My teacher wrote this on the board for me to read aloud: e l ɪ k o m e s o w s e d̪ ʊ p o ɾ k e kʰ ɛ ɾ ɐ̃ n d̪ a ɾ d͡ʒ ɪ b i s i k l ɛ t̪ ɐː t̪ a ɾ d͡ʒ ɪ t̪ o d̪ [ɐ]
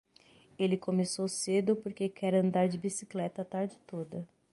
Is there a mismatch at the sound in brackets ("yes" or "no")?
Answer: no